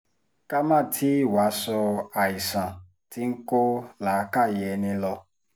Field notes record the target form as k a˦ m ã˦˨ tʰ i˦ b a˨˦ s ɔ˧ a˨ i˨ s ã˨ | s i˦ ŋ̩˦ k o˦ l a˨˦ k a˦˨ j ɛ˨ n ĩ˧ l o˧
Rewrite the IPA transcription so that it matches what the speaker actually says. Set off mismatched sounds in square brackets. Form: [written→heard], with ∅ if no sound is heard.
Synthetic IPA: k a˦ m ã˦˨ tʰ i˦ [b→w] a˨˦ s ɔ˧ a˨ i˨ s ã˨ | [s→t] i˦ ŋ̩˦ k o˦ l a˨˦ k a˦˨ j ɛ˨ n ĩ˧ l [o˧→ɔ˧]